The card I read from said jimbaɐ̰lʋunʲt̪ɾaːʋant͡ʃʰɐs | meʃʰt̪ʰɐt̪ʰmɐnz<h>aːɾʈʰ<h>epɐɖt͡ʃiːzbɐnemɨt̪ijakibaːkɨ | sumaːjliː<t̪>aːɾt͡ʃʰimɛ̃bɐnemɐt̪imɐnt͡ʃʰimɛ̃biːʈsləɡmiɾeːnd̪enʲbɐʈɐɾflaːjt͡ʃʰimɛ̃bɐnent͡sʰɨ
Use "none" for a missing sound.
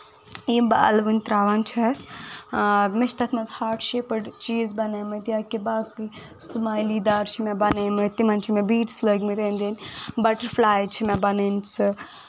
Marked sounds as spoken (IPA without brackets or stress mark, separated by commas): h, ʃ, d̪